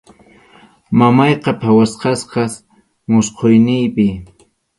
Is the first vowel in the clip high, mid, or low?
low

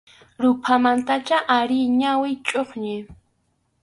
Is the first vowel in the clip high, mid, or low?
high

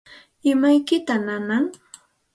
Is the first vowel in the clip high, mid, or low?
high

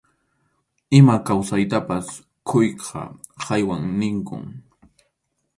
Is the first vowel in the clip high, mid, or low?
high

